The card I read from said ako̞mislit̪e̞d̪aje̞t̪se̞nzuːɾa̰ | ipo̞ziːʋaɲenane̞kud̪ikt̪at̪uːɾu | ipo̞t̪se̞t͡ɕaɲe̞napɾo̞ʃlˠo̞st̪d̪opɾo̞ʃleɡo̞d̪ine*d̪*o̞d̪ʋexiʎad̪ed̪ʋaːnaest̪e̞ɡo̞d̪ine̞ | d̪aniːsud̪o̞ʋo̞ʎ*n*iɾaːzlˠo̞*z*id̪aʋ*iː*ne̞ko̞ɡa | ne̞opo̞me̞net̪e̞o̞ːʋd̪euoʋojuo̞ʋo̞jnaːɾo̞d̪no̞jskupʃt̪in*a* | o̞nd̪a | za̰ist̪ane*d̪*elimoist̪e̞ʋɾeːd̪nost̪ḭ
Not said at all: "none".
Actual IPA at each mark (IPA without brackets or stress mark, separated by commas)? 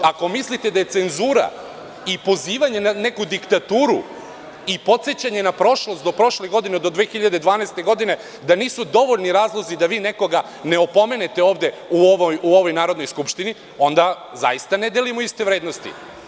d̪, n, z, iː, i, d̪